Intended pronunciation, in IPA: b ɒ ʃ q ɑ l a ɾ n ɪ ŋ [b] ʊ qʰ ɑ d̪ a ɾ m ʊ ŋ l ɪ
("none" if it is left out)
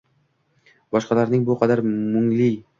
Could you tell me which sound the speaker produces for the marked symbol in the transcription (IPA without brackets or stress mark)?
b